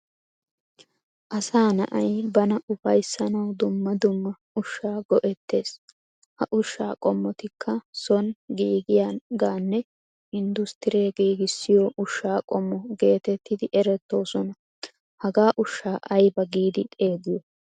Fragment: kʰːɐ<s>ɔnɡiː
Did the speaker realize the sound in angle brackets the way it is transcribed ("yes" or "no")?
yes